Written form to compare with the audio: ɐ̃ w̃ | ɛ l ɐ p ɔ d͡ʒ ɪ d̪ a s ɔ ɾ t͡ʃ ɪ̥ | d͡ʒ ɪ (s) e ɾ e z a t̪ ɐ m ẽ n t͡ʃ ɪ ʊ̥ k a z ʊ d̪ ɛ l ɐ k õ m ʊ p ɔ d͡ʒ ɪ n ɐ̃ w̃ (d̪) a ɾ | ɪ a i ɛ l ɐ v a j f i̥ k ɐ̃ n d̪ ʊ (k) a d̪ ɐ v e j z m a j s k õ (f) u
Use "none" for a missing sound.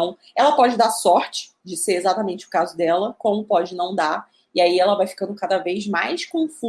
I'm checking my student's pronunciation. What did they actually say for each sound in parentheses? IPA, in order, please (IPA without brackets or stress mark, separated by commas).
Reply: s, d̪, k, f